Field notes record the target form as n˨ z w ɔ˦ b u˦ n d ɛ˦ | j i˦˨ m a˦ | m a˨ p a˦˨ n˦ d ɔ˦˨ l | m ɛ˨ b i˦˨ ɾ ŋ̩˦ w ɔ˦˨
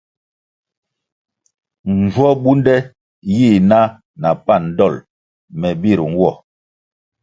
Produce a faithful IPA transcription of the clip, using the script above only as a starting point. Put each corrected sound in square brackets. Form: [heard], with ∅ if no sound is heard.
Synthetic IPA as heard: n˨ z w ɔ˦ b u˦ n d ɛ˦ | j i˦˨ [n] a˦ | [n] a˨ p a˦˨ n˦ d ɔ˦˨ l | m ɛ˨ b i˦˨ ɾ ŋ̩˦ w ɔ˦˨

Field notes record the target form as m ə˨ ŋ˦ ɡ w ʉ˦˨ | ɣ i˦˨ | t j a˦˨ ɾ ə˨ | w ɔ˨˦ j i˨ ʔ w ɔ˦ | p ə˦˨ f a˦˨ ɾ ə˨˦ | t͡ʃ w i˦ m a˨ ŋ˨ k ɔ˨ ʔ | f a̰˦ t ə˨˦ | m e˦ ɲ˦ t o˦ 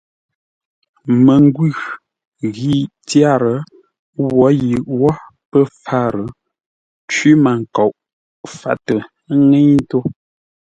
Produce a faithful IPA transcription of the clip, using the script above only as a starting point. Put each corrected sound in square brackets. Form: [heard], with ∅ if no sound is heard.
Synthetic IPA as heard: m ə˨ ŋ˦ ɡ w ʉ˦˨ | ɣ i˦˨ | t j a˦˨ ɾ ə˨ | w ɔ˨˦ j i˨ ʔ w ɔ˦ | p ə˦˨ f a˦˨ ɾ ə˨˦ | t͡ʃ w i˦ m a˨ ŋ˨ k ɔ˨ ʔ | f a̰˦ t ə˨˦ | [ŋ] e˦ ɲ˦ t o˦

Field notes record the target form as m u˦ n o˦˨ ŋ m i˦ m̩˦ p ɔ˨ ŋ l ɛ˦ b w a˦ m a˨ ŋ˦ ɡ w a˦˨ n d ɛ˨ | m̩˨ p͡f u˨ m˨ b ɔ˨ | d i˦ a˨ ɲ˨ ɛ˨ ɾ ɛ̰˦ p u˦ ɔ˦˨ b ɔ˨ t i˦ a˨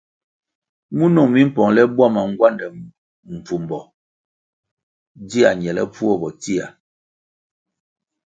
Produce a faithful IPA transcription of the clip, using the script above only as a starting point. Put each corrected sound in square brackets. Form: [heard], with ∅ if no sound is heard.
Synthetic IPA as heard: m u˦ n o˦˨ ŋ m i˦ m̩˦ p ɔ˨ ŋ l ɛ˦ b w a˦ m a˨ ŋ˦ ɡ w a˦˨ n d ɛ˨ | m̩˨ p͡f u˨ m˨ b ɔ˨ | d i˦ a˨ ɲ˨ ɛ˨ [l] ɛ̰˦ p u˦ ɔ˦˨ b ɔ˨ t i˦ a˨

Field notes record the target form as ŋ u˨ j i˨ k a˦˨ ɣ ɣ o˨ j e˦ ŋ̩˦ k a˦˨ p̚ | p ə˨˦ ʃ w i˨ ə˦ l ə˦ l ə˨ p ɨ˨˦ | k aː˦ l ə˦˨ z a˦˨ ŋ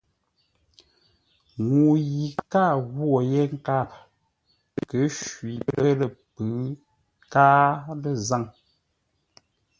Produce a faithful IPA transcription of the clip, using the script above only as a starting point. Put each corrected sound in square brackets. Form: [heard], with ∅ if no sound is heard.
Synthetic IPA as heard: ŋ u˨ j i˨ k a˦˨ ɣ [w] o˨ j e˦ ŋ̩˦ k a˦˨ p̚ | [k] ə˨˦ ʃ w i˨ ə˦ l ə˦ l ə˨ p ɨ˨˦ | k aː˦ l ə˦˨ z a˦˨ ŋ

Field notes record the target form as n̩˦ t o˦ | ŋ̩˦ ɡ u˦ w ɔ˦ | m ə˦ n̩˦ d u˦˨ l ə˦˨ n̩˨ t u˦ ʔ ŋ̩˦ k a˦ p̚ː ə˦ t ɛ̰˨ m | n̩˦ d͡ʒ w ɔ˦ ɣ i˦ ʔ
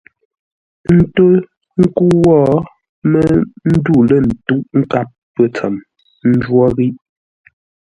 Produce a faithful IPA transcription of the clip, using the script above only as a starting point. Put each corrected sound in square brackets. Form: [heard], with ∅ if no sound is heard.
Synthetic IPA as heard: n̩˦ t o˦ | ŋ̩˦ [k] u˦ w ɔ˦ | m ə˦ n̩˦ d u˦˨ l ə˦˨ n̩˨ t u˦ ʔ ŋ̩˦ k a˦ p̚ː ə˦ [t͡s] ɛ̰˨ m | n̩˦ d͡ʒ w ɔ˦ ɣ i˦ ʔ

